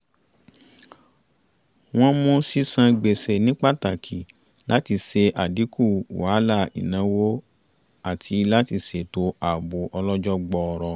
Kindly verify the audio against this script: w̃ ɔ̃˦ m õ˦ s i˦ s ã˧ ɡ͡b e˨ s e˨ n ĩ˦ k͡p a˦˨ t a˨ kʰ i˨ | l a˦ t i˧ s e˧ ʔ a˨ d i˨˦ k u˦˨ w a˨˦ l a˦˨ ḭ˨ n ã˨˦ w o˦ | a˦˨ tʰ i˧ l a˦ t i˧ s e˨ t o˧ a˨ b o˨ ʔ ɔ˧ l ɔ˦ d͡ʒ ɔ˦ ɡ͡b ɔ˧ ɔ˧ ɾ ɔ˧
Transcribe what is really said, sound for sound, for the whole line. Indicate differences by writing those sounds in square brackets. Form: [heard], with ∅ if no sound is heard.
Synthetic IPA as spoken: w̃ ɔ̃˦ m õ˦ s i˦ s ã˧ ɡ͡b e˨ s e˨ n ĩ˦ k͡p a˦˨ t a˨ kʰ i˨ | l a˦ t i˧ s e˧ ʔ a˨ d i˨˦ k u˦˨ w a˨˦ l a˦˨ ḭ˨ n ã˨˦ w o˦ | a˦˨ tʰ i˧ l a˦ t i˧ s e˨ t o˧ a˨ b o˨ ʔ ɔ˧ l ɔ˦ d͡ʒ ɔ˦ ɡ͡b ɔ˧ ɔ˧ ɾ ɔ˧

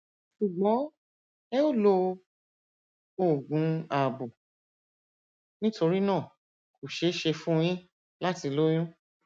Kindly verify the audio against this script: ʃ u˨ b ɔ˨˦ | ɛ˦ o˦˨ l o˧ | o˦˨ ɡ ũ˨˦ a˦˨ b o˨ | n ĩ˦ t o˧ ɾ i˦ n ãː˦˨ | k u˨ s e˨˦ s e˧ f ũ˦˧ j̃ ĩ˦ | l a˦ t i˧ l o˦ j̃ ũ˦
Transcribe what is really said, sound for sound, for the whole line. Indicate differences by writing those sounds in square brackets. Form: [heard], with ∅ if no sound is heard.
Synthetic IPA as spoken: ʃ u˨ [ɡ͡b] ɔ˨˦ | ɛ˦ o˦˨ l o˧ | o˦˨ ɡ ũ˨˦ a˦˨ b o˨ | n ĩ˦ t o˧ ɾ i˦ n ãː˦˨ | k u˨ [ʃ] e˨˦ [ʃ] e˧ f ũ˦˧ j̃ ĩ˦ | l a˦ t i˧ l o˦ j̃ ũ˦

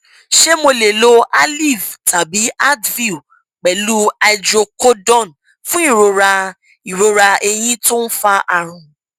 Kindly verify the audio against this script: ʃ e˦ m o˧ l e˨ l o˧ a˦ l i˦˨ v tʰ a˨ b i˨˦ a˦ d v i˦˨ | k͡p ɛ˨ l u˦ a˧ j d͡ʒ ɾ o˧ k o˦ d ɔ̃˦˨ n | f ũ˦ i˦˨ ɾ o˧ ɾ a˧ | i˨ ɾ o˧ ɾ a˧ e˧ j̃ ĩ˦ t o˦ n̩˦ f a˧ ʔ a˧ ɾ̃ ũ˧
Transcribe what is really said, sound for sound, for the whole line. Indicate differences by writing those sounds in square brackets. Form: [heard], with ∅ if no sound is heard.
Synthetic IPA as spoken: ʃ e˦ m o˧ l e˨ l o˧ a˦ l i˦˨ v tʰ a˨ b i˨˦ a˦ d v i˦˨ | k͡p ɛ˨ l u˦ a˧ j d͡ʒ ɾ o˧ k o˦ d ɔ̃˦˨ n | f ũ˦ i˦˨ ɾ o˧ ɾ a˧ | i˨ ɾ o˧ ɾ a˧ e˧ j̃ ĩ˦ t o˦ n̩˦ f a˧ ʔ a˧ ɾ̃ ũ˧

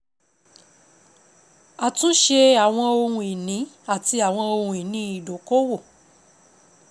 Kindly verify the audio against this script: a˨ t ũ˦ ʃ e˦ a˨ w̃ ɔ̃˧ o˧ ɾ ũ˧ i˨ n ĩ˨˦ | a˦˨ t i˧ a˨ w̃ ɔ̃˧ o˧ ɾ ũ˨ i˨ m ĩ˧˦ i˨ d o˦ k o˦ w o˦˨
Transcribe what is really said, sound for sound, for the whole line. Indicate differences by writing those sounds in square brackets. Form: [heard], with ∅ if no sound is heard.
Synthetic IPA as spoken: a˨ t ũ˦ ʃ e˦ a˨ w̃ ɔ̃˧ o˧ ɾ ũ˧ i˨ n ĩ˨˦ | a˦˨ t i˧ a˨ w̃ ɔ̃˧ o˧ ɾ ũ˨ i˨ [n] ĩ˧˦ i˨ d [o˨] k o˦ w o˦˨

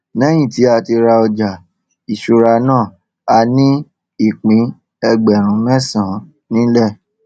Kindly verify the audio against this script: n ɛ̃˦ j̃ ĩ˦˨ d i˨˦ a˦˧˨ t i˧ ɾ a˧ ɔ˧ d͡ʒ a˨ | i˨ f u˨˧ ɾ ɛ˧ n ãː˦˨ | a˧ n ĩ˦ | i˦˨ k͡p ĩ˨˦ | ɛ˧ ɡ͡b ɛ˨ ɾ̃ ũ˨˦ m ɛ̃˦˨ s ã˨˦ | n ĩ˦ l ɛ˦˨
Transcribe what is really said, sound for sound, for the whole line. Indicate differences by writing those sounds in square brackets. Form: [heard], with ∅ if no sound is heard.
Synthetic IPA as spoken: n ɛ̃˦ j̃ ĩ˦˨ [t] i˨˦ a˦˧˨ t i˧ ɾ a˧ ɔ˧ d͡ʒ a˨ | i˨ [ʃ] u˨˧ ɾ [a˧] n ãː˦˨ | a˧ n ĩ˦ | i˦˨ k͡p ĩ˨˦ | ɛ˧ ɡ͡b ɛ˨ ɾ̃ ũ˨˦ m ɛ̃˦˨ s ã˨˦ | n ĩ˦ l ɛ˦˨

